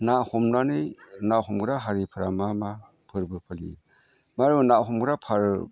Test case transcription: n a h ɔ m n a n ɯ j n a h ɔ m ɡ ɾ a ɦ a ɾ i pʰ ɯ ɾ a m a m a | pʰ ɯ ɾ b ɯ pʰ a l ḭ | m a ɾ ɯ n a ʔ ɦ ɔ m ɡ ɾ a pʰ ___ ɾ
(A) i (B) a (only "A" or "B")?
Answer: B